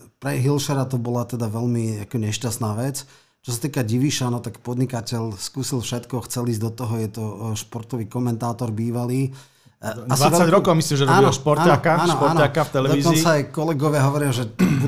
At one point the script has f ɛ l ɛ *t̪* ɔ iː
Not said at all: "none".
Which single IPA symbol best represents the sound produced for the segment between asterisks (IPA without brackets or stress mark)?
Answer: d̪